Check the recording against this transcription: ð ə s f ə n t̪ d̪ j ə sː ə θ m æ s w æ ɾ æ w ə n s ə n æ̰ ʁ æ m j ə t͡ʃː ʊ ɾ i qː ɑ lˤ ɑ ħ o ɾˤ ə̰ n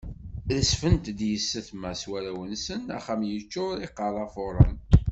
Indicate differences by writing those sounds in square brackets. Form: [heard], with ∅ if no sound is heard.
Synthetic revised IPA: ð ə s f ə n t̪ d̪ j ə sː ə θ m æ s w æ ɾ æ w ə n s ə n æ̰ [χ] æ m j ə t͡ʃː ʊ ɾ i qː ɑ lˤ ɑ [f] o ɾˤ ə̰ n